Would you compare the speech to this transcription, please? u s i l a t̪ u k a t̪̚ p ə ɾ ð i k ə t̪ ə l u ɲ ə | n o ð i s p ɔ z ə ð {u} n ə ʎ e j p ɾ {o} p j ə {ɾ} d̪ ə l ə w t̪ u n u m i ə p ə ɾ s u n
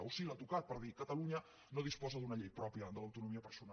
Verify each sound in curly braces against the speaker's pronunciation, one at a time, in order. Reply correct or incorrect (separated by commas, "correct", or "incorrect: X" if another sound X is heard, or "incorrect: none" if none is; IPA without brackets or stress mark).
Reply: correct, incorrect: ɔ, incorrect: none